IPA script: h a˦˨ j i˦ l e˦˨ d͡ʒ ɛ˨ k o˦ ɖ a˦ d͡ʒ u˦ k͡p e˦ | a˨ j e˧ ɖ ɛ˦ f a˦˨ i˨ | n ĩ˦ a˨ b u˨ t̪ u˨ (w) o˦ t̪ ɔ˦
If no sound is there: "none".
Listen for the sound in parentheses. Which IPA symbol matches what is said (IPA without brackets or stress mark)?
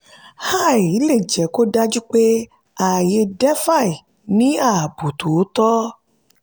w